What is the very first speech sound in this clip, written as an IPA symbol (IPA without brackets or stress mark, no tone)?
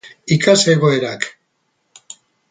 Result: i